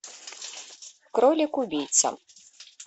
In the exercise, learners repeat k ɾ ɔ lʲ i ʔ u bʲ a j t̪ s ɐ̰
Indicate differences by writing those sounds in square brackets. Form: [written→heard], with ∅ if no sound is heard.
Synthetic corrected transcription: k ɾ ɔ lʲ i [ʔ→k] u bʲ [a→i] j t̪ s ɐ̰

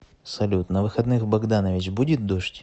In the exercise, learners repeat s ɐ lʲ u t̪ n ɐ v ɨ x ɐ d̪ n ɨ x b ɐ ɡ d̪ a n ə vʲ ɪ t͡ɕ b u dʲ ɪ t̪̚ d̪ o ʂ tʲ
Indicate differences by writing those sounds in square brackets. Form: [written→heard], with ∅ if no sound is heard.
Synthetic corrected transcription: s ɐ lʲ u t̪ n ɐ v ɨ x ɐ d̪ n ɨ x b ɐ ɡ d̪ a n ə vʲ ɪ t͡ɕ b u dʲ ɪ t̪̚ d̪ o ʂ tʲ

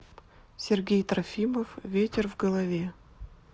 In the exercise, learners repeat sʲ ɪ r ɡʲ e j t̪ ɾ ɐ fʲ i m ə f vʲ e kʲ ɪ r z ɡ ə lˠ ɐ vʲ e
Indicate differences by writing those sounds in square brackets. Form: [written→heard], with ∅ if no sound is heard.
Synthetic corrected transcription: sʲ ɪ r ɡʲ e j t̪ ɾ ɐ fʲ i m ə f vʲ e [kʲ→tʲ] ɪ r [z→v] ɡ ə lˠ ɐ vʲ e

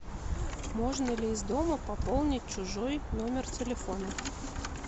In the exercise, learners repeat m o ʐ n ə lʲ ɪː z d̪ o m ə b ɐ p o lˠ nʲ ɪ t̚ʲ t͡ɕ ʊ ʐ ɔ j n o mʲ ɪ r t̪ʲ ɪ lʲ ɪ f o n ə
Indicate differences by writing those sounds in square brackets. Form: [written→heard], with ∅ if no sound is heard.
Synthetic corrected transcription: m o ʐ n ə lʲ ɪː z d̪ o m ə [b→p] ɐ p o lˠ nʲ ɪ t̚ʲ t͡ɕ ʊ ʐ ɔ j n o mʲ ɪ r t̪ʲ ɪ lʲ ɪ f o n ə

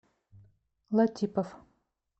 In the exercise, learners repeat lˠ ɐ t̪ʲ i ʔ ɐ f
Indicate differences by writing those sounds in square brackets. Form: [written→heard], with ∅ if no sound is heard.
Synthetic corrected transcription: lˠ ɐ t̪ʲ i [ʔ→p] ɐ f

